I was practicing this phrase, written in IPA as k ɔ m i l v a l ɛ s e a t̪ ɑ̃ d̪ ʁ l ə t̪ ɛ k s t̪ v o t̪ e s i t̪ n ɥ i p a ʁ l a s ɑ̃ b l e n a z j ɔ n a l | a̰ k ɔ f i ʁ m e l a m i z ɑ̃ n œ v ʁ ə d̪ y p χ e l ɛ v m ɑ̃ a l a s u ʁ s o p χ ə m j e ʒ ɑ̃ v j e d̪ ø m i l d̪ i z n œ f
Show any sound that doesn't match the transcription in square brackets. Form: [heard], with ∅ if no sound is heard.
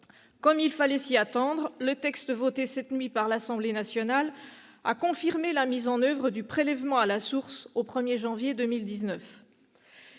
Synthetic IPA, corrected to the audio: k ɔ m i l [f] a l ɛ s [i] a t̪ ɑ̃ d̪ ʁ l ə t̪ ɛ k s t̪ v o t̪ e s [ɛ] t̪ n ɥ i p a ʁ l a s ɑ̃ b l e n a [s] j ɔ n a l | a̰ k [ɔ̃] f i ʁ m e l a m i z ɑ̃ n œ v ʁ ə d̪ y p χ e l ɛ v m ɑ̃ a l a s u ʁ s o p χ ə m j e ʒ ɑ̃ v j e d̪ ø m i l d̪ i z n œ f